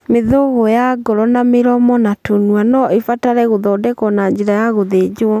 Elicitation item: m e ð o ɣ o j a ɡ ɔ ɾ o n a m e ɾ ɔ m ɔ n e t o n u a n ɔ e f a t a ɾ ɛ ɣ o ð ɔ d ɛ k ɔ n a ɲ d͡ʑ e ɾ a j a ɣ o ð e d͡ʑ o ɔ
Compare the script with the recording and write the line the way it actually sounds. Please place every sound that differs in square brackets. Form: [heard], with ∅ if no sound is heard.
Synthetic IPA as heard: m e ð o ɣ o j a ɡ ɔ ɾ [ɔ] n a m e ɾ ɔ m ɔ n [a] t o n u a n ɔ e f a t a ɾ ɛ ɣ o ð ɔ d ɛ k ɔ n a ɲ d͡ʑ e ɾ a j a ɣ o ð e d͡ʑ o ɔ